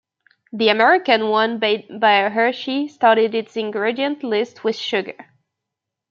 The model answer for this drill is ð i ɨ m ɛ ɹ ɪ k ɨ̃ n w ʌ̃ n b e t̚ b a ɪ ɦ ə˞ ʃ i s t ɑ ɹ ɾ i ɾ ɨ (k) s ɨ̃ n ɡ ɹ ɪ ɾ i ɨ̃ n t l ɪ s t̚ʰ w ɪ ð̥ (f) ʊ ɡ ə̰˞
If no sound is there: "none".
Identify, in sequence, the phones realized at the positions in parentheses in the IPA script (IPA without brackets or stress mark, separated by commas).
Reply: t, ʃ